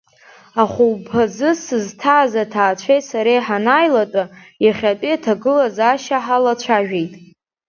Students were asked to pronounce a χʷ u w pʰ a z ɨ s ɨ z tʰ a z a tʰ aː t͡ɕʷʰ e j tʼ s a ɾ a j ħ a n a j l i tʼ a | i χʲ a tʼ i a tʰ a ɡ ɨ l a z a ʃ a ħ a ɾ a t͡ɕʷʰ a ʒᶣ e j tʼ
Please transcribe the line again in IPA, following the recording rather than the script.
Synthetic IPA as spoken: a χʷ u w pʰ a z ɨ s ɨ z tʰ a z a tʰ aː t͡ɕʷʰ e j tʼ s a ɾ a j ħ a n a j l a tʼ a | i χʲ a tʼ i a tʰ a ɡ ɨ l a z a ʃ a ħ a l a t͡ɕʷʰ a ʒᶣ e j tʼ

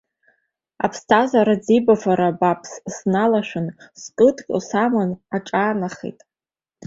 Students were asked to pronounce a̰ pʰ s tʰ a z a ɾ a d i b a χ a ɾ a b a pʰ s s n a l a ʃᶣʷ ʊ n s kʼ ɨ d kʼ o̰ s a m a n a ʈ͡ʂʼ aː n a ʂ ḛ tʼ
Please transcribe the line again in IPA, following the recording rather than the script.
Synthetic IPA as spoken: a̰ pʰ s tʰ a z a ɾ a d͡z i b a f a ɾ a b a pʰ s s n a l a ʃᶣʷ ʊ n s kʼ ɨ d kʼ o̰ s a m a n a ʈ͡ʂʼ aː n a χ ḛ tʼ

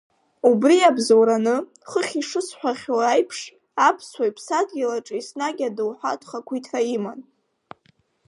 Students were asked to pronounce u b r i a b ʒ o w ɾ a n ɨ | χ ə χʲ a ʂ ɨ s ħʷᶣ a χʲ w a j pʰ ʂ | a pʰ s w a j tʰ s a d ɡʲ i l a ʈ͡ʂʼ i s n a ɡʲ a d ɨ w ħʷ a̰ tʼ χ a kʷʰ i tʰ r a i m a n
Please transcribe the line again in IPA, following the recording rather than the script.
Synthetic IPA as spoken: u b r i a b z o w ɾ a n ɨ | χ ə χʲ i ʂ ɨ s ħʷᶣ a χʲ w a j pʰ ʂ | a pʰ s w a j pʰ s a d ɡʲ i l a ʈ͡ʂʼ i s n a ɡʲ a d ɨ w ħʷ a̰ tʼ χ a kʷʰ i tʰ r a i m a n

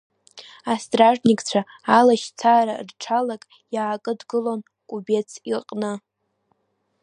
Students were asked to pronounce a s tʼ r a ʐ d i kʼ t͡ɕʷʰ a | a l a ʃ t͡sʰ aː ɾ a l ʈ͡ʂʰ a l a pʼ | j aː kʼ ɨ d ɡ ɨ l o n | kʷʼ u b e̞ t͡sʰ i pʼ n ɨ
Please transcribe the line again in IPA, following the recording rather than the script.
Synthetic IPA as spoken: a s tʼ r a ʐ n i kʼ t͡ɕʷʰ a | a l a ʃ t͡sʰ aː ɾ a r ʈ͡ʂʰ a l a kʼ | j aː kʼ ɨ d ɡ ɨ l o n | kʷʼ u b e̞ t͡sʰ i qʼ n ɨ

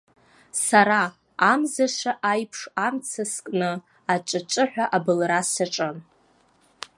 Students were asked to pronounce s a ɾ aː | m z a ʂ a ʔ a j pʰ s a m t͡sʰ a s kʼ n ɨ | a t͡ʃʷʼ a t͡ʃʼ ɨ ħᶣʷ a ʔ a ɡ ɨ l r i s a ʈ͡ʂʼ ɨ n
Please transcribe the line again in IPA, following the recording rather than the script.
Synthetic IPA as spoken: s a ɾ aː | m z a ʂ a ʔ a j pʰ ʂ a m t͡sʰ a s kʼ n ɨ | a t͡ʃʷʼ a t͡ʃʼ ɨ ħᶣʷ a ʔ a b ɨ l r a s a ʈ͡ʂʼ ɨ n

